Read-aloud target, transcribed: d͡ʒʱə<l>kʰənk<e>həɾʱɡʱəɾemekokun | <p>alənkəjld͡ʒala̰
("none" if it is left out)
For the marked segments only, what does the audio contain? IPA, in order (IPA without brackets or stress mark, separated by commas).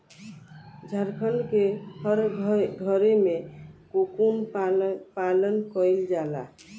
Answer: ɾ, e, p